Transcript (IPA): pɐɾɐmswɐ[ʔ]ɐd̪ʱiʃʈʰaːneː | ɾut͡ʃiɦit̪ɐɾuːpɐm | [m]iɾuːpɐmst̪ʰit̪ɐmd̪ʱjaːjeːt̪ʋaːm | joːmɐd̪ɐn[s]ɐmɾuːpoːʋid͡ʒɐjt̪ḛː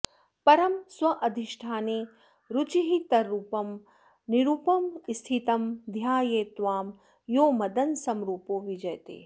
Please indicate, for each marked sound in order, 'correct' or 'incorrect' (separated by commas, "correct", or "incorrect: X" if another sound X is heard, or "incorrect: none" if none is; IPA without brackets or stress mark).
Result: correct, incorrect: n, correct